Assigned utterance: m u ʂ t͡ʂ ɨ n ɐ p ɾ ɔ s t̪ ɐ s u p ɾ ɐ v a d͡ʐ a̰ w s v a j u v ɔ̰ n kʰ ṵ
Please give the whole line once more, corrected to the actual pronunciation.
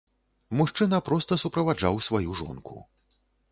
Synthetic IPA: m u ʂ t͡ʂ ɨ n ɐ p ɾ ɔ s t̪ ɐ s u p ɾ ɐ v a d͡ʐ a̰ w s v a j u ʐ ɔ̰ n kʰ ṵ